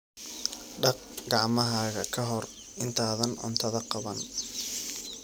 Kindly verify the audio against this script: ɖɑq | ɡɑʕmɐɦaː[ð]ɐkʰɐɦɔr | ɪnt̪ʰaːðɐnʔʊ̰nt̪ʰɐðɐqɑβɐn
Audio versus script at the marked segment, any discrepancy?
yes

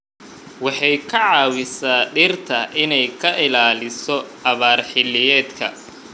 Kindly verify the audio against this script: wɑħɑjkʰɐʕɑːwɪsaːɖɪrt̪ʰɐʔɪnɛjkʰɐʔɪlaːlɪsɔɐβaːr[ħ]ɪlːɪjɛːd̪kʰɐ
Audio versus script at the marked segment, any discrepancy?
no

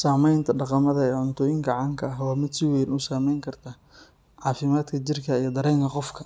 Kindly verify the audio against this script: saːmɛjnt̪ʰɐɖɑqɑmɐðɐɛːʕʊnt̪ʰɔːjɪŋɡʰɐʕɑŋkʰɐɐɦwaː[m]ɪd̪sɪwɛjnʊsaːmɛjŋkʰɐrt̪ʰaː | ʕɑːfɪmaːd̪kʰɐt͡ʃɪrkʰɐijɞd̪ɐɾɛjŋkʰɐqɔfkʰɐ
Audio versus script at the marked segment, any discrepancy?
no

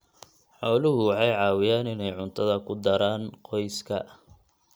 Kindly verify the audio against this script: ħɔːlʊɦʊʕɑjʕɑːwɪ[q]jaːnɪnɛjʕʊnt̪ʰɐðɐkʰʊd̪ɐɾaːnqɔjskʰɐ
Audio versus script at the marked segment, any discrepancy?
yes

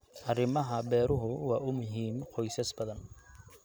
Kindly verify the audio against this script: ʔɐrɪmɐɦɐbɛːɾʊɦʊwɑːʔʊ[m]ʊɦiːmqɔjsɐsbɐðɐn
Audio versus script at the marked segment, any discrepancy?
no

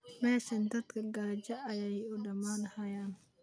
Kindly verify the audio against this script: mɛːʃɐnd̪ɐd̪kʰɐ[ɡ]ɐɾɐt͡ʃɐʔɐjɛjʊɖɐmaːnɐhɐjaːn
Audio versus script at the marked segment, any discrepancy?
no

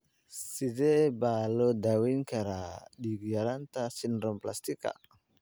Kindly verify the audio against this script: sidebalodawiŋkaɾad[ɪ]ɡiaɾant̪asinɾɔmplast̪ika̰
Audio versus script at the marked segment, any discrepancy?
yes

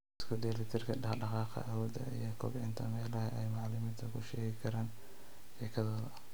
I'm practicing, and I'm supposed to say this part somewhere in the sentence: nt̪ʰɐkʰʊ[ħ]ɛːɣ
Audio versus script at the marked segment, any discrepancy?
yes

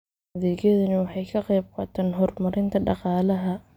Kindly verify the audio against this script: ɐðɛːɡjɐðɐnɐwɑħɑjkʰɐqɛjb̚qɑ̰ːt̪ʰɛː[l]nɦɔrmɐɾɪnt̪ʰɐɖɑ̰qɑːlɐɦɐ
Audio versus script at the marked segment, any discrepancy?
yes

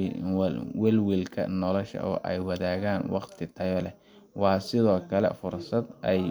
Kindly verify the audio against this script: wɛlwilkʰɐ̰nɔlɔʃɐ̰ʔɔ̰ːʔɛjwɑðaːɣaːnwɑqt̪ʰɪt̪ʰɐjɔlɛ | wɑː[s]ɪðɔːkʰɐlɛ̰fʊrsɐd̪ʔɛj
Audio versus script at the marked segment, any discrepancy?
no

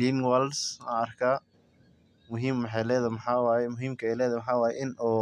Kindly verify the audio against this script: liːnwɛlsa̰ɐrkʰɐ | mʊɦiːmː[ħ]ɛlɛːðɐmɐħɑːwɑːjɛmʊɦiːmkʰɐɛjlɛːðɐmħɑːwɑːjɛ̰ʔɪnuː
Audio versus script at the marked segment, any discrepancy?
no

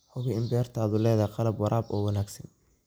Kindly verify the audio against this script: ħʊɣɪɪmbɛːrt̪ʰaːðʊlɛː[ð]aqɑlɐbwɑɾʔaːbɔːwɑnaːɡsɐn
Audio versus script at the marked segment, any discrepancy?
no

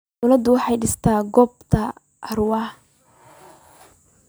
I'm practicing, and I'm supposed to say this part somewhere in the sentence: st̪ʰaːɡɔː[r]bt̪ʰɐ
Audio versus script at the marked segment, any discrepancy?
yes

